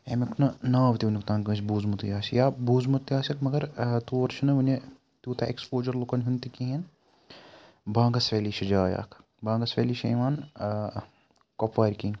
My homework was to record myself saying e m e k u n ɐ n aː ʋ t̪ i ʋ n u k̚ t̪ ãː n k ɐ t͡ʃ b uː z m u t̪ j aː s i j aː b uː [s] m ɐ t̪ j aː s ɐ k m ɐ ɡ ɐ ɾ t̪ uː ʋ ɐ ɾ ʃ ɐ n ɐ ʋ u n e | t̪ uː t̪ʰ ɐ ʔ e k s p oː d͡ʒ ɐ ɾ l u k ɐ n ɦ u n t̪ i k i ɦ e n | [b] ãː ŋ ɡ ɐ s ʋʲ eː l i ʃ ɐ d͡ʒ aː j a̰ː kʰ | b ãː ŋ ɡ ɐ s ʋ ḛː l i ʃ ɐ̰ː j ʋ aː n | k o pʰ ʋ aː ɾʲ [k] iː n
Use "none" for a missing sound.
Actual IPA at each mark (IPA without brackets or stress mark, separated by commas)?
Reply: z, b, k